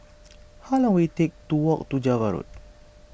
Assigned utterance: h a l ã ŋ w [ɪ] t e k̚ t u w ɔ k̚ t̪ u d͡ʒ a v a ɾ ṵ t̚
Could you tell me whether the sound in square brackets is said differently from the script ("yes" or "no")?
yes